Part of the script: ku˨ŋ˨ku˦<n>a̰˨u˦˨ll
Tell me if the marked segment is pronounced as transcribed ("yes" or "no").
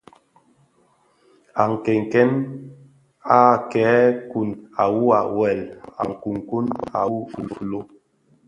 yes